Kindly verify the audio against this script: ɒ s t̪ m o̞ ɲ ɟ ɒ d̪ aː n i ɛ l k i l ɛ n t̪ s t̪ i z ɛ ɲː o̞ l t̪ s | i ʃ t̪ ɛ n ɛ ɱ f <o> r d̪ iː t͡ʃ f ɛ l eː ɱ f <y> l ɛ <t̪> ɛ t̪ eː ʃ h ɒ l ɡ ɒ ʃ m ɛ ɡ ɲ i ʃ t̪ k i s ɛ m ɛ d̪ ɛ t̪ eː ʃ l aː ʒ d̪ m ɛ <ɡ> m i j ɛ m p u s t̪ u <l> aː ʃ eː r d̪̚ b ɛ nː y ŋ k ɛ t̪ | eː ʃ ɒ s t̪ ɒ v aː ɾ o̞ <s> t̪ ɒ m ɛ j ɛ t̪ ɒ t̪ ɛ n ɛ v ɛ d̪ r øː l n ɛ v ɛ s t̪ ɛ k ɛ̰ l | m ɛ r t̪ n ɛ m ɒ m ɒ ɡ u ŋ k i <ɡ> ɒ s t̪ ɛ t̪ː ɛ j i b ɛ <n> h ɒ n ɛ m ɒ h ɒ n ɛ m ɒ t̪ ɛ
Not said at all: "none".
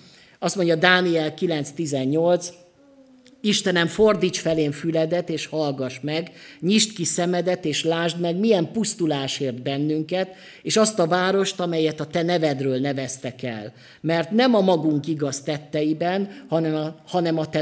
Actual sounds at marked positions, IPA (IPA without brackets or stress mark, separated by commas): o, y, d̪, ɡ, l, ʃ, ɡ, n